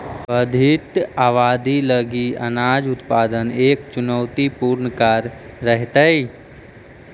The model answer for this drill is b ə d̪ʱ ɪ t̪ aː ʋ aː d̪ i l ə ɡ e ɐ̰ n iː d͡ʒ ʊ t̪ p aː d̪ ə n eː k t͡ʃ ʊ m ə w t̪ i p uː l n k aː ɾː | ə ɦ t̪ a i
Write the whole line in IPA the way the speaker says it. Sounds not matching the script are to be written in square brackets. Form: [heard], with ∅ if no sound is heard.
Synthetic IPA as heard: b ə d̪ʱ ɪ t̪ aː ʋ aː d̪ i l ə ɡ [i] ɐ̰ n [aː] d͡ʒ ʊ t̪ p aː d̪ ə n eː k t͡ʃ ʊ [n] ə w t̪ i p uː [ɾ] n k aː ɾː | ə ɦ t̪ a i